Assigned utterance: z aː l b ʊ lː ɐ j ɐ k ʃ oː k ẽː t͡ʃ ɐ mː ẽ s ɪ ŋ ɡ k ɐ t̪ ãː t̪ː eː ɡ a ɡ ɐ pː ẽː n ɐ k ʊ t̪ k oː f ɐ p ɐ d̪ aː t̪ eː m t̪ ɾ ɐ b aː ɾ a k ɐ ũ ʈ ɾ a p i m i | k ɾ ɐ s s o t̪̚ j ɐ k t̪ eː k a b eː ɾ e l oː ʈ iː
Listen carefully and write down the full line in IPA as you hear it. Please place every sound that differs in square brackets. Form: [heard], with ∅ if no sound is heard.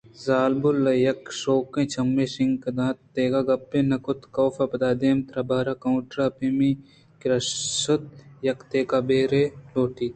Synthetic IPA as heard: z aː l b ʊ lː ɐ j ɐ k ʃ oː k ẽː t͡ʃ ɐ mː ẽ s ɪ ŋ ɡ k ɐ [d̪] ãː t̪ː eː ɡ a ɡ ɐ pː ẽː n ɐ k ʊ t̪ k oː f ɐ p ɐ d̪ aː [d̪] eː m t̪ ɾ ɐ b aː ɾ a k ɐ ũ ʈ ɾ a p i m i | k ɾ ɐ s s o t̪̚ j ɐ k t̪ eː k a b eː ɾ e l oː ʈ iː